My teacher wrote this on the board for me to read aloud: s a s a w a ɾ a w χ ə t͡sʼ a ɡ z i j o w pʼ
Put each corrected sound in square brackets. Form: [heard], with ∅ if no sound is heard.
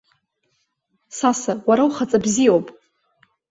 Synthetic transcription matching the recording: s a s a w a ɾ a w χ [a] t͡sʼ a [b] z i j o w pʼ